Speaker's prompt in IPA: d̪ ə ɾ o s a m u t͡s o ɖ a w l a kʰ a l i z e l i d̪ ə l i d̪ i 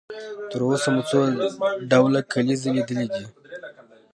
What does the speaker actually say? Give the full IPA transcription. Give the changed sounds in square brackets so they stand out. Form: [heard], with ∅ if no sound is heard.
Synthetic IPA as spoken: [t̪] ə ɾ o s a m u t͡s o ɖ a w l a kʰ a l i z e l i d̪ ə l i d̪ i